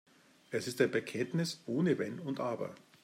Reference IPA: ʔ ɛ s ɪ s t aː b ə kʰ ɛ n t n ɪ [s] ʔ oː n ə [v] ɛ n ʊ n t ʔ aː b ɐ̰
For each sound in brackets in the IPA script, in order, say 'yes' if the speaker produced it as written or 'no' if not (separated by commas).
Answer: yes, yes